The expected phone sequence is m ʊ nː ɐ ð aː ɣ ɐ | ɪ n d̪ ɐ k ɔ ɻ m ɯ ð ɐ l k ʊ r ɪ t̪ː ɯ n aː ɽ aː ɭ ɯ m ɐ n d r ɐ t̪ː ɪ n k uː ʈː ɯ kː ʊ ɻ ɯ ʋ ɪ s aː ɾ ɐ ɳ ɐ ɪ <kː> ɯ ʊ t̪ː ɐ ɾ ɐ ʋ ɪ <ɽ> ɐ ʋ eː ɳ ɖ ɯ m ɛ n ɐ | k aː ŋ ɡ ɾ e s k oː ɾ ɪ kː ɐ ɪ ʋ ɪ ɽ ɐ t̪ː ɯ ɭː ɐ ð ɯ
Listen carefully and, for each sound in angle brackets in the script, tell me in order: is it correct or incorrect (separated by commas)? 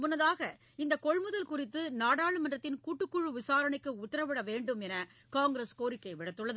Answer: correct, correct